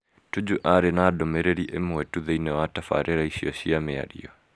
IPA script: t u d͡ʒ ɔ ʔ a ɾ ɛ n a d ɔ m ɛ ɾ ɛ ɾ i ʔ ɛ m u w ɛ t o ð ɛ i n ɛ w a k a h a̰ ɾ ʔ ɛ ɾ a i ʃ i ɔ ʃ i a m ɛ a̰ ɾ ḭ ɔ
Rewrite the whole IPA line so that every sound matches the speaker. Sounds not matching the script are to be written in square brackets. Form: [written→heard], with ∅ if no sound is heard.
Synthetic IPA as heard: t u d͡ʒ [ɔ→u] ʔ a ɾ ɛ n a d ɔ m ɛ ɾ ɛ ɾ i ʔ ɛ m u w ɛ t [o→u] ð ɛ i n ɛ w a [k→t] a [h→f] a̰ ɾ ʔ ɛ ɾ a i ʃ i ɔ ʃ i a m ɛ a̰ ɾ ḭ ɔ

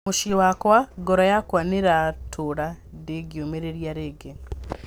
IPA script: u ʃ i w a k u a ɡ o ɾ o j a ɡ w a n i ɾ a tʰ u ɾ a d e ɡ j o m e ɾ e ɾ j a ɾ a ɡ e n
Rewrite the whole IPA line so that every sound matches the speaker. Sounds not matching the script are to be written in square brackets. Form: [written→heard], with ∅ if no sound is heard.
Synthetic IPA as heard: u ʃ i w a k [u→w] a ɡ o ɾ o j a [ɡ→k] w a n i ɾ a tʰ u ɾ a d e ɡ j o m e ɾ e ɾ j a ɾ [a→e] ɡ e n

